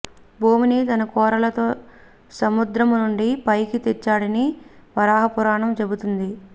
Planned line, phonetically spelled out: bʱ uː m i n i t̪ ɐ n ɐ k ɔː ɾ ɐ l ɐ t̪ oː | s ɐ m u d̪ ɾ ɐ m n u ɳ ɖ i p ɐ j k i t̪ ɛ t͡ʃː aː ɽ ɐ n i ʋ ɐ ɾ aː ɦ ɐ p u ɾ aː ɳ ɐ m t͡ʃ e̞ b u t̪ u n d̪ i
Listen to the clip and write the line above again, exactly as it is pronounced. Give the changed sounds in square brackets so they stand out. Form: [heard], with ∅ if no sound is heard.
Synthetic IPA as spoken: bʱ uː m i n i t̪ ɐ n ɐ k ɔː ɾ ɐ l ɐ t̪ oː | s ɐ m u d̪ ɾ ɐ m n u ɳ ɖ i p ɐ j k i t̪ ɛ t͡ʃː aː ɽ ɐ n i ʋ ɐ ɾ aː ɦ ɐ p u ɾ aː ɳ ɐ m t͡ʃ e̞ b u t̪ u n d̪ i